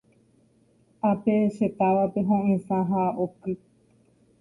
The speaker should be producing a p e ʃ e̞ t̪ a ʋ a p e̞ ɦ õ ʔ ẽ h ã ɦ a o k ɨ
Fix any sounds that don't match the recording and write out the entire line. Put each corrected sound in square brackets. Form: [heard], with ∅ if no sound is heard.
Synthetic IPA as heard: a p e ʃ e̞ t̪ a ʋ a p e̞ ɦ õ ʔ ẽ [s] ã ɦ a o k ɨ